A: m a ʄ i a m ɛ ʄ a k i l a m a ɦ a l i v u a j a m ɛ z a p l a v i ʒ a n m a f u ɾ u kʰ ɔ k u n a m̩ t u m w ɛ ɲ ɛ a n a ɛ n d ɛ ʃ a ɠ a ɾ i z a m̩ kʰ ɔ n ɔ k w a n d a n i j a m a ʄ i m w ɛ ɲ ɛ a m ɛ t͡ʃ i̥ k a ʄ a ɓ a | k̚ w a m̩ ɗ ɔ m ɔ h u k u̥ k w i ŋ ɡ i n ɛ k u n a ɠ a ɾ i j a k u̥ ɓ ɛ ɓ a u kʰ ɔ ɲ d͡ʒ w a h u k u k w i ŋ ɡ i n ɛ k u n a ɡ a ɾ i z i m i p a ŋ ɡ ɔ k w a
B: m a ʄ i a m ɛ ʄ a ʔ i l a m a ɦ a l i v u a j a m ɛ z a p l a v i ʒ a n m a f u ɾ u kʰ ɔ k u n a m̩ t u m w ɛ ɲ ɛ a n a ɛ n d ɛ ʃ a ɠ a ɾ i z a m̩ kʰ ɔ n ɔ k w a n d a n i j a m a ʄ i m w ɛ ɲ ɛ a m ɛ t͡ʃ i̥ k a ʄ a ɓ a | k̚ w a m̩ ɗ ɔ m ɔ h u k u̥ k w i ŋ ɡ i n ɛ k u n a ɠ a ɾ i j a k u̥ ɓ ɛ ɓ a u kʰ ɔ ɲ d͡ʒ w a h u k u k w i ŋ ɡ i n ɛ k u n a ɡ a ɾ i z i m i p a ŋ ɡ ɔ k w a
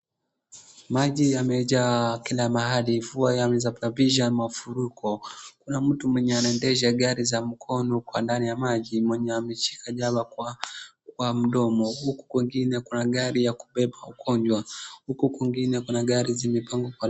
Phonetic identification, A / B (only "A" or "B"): A